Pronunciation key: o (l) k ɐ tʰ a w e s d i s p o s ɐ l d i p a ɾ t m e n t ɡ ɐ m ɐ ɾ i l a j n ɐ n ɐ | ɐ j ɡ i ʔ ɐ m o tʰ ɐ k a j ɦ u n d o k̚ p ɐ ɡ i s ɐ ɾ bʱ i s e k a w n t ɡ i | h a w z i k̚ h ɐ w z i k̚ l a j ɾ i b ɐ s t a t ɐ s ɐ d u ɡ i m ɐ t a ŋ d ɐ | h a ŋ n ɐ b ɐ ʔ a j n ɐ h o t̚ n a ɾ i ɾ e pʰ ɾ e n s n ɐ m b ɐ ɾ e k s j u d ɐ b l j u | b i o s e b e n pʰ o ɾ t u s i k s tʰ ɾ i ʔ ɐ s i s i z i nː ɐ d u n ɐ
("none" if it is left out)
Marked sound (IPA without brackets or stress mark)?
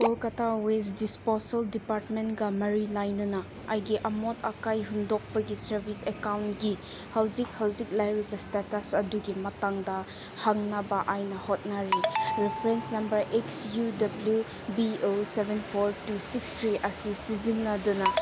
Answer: l